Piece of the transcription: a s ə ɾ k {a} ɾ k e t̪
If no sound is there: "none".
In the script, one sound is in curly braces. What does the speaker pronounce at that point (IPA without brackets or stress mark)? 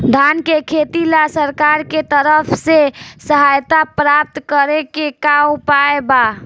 a